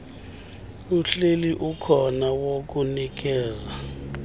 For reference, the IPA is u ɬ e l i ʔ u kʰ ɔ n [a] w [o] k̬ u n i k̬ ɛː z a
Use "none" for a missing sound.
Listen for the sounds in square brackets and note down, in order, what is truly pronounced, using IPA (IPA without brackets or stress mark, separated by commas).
a, o